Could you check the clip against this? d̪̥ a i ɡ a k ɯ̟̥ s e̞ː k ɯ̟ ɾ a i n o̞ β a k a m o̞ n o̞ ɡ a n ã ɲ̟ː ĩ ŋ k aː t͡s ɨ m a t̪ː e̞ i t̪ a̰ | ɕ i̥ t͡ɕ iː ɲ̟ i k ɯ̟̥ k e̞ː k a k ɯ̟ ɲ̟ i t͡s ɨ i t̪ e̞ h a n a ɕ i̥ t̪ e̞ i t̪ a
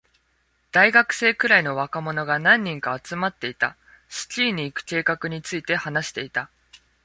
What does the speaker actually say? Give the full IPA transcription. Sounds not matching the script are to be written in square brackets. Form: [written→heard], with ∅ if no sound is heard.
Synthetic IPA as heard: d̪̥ a i ɡ a k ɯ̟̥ s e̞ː k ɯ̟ ɾ a i n o̞ β a k a m o̞ n o̞ ɡ a n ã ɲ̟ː ĩ ŋ k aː t͡s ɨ m a t̪ː e̞ i t̪ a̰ | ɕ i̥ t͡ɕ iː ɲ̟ [i→iː] k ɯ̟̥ k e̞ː k a k ɯ̟ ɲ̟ i t͡s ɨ i t̪ e̞ h a n a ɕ i̥ t̪ e̞ i t̪ a